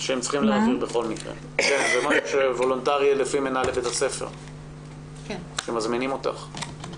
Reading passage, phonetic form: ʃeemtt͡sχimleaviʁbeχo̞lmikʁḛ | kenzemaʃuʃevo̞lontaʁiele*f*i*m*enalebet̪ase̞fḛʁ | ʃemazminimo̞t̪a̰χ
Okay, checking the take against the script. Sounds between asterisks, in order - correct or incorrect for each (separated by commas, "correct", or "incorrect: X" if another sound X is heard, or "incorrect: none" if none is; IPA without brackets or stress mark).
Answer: correct, correct